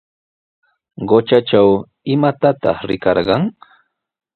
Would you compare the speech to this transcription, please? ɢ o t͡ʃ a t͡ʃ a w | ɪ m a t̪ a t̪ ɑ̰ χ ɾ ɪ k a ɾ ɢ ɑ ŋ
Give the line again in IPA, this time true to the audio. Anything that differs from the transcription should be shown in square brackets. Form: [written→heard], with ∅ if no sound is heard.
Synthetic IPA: ɢ o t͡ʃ a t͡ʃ a w | ɪ m a t̪ a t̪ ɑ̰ χ ɾ ɪ k [a→ɑ] ɾ ɢ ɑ ŋ